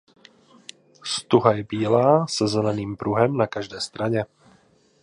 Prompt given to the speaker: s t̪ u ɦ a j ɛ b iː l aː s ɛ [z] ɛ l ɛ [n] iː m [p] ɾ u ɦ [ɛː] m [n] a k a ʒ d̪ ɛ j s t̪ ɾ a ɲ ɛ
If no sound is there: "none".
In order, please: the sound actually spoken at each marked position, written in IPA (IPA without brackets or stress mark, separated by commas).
z, n, p, ɛ, n